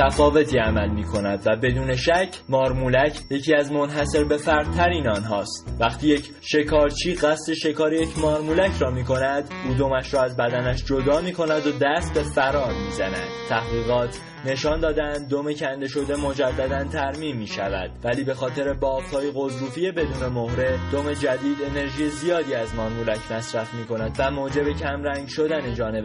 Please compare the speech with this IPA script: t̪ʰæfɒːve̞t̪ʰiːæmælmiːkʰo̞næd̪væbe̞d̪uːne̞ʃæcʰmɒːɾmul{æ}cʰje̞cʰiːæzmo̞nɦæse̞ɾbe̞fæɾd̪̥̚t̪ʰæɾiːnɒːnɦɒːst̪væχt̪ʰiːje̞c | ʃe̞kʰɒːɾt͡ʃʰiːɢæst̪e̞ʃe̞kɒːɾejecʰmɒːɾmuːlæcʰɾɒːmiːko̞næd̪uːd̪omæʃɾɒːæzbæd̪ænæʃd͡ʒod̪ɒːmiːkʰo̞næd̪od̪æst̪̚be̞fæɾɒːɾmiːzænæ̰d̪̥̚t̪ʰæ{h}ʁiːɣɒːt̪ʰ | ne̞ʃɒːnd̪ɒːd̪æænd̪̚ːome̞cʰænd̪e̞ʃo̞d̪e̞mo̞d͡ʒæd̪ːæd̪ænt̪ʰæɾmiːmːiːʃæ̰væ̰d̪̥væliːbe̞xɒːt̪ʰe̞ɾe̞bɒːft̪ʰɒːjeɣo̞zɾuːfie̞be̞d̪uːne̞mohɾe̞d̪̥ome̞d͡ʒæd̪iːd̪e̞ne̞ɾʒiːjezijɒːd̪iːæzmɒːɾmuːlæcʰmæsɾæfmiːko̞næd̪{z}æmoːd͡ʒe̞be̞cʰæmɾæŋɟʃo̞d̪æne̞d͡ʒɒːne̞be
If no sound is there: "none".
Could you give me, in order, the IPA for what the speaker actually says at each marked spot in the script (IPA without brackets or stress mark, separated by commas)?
æ, h, v